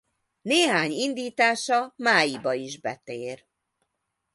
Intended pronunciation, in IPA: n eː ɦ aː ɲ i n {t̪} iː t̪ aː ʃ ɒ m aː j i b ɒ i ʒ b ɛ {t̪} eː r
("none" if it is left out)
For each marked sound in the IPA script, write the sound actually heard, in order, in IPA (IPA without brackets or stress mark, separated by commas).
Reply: d̪, t̪